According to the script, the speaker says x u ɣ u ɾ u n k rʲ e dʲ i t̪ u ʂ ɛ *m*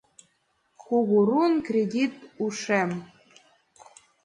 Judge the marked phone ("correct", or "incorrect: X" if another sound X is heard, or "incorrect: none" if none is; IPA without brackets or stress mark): correct